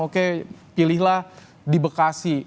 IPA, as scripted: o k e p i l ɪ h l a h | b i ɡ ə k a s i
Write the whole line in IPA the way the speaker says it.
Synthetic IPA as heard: o k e p i l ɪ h l a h | d i b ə k a s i